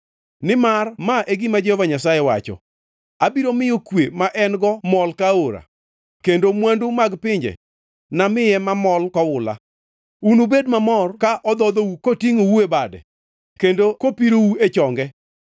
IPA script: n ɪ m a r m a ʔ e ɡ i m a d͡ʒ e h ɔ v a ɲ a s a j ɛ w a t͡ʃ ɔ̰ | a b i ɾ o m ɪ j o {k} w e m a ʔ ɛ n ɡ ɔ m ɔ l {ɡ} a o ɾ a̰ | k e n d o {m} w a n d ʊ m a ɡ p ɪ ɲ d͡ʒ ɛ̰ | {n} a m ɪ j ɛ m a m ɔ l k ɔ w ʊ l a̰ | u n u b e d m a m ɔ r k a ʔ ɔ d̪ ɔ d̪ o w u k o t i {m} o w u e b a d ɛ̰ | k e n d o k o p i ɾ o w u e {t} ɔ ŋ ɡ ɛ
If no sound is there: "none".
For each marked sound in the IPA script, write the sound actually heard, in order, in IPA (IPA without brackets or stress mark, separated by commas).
k, k, m, n, ŋ, t͡ʃ